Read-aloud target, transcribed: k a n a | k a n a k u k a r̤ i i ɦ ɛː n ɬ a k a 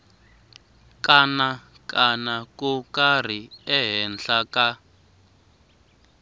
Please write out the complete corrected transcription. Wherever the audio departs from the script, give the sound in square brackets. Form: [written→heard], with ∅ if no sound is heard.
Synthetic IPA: k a n a | k a n a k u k a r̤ i [i→ɛ] ɦ [ɛː→ɛ] n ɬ a k a